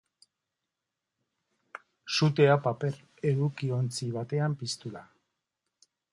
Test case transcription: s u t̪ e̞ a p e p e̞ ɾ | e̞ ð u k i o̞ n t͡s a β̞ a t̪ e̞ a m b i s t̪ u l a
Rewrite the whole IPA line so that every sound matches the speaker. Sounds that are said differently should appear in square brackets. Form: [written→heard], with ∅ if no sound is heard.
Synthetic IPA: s u t̪ e̞ a p [e→a] p e̞ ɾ | e̞ ð u k i o̞ n t͡s [a→i] β̞ a t̪ e̞ a m [b→p] i s t̪ u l a